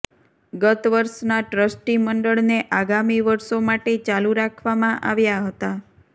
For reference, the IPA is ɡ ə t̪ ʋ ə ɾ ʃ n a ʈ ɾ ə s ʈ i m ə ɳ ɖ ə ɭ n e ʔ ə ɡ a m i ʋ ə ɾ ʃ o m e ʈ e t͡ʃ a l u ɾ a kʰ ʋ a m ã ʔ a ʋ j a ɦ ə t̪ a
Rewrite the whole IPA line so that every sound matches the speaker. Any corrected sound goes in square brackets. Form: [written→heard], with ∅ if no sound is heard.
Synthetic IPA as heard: ɡ ə t̪ ʋ ə ɾ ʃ n a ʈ ɾ ə s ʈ i m ə ɳ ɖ ə ɭ n e ʔ [ə→a] ɡ a m i ʋ ə ɾ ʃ o m [e→a] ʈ e t͡ʃ a l u ɾ a kʰ ʋ a m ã ʔ a ʋ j a ɦ ə t̪ a